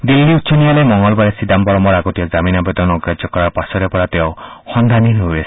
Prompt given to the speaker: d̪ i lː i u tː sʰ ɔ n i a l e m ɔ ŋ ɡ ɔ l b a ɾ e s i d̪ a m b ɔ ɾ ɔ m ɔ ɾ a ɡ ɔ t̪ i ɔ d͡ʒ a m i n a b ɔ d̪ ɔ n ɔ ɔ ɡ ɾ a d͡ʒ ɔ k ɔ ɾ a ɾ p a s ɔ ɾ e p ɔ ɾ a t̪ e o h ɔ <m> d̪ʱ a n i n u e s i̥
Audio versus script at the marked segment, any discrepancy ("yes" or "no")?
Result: yes